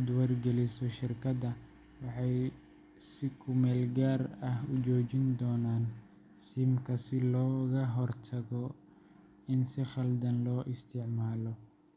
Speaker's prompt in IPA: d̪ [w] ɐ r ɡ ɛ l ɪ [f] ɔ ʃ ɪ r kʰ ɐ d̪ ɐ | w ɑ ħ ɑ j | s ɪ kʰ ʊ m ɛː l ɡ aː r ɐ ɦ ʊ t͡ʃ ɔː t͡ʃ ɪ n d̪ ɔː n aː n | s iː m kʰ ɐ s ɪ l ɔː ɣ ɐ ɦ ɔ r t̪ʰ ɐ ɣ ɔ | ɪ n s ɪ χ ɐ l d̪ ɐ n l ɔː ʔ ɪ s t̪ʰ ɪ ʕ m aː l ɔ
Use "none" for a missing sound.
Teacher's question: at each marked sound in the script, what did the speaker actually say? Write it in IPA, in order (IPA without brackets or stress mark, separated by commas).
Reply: w, s